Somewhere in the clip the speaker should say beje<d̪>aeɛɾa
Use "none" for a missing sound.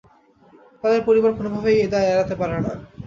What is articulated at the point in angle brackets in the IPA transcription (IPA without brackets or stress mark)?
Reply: d̪